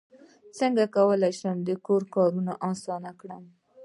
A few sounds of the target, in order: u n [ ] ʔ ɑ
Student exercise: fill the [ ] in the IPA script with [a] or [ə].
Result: a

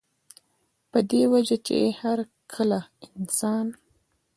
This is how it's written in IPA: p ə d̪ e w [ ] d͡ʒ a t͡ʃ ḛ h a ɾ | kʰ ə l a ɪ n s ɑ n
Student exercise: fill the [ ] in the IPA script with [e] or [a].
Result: a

